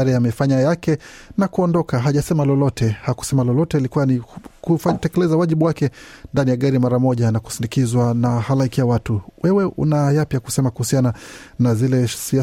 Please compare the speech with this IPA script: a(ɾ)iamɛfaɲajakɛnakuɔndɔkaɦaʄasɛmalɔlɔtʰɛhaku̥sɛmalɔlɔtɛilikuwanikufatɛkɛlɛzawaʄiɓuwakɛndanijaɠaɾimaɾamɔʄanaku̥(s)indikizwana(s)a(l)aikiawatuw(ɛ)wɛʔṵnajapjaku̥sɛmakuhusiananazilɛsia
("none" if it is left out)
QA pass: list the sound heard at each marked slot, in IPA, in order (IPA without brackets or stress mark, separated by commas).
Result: ɾ, s, h, l, ɛ